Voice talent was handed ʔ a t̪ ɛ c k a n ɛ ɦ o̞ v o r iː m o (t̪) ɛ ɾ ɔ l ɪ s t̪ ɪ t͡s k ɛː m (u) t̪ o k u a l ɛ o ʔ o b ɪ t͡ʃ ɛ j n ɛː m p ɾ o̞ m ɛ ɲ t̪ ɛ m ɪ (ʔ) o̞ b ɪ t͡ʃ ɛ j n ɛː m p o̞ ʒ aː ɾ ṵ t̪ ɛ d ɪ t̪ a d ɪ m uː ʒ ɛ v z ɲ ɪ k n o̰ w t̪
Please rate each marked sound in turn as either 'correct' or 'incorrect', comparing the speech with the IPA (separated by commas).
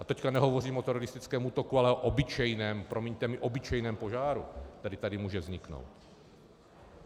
correct, incorrect, correct